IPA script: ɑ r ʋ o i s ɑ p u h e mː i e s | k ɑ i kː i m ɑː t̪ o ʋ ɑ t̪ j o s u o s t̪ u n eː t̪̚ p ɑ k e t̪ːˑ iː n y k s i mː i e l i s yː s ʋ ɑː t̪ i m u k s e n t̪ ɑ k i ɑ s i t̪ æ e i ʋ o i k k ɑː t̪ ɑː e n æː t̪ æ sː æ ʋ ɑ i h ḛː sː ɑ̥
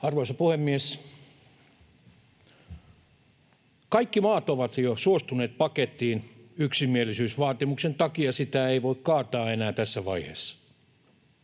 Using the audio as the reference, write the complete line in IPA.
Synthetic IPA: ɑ r ʋ o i s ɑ p u h e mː i e s | k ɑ i kː i m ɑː t̪ o ʋ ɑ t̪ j o s u o s t̪ u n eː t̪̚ p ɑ k e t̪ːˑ iː n y k s i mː i e l i s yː s ʋ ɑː t̪ i m u k s e n t̪ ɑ k i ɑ s i t̪ æ e i ʋ o i k k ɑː t̪ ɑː e n æː t̪ æ sː æ ʋ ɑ i h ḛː sː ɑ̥

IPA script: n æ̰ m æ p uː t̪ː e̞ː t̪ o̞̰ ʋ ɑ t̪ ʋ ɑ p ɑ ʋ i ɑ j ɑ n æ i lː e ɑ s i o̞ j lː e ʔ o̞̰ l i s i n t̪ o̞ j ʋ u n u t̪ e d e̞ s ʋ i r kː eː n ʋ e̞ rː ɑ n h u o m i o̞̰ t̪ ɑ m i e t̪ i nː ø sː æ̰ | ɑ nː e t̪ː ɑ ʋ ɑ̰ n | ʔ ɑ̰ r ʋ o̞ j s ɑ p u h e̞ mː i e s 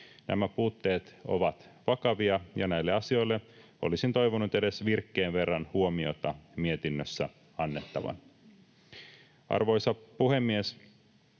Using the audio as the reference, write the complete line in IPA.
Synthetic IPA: n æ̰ m æ p uː t̪ː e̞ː t̪ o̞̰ ʋ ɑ t̪ ʋ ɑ k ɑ ʋ i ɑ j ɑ n æ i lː e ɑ s i o̞ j lː e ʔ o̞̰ l i s i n t̪ o̞ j ʋ o n u t̪ e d e̞ s ʋ i r kː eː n ʋ e̞ rː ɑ n h u o m i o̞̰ t̪ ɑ m i e t̪ i nː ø sː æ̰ | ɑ nː e t̪ː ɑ ʋ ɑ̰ n | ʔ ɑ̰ r ʋ o̞ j s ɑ p u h e̞ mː i e s

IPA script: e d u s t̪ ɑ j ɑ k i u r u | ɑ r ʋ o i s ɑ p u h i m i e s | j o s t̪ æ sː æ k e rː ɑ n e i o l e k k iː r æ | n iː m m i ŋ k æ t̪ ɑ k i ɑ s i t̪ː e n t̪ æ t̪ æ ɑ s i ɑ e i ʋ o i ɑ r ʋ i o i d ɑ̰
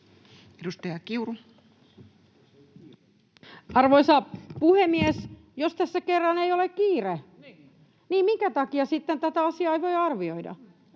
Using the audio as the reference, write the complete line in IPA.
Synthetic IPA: e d u s t̪ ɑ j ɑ k i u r u | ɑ r ʋ o i s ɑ p u h e m i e s | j o s t̪ æ sː æ k e rː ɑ n e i o l e k k iː r e | n iː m m i ŋ k æ t̪ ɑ k i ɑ s i t̪ː e n t̪ æ t̪ æ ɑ s i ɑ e i ʋ o i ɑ r ʋ i o i d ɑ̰

